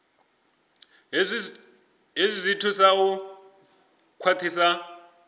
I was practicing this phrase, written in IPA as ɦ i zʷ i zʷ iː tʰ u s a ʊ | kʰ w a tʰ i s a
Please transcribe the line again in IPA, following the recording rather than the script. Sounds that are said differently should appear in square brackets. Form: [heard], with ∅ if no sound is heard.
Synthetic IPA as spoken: ɦ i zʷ i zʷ [i] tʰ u s a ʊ | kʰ w a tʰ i s a